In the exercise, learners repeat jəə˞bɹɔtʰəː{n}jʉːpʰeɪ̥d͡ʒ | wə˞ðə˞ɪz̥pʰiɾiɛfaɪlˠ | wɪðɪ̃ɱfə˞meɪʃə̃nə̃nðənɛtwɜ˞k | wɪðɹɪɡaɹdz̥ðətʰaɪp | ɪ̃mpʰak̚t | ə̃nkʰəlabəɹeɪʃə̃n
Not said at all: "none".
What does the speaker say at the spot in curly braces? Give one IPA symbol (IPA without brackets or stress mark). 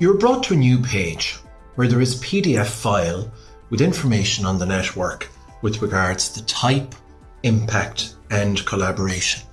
n